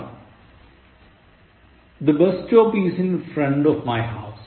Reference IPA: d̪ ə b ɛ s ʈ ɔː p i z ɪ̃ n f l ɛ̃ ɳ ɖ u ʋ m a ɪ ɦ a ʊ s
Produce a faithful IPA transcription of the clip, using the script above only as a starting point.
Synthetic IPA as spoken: d̪ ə b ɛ s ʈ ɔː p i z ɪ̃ n f ɾ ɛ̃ ɳ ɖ ɔ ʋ m a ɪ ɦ a ʊ s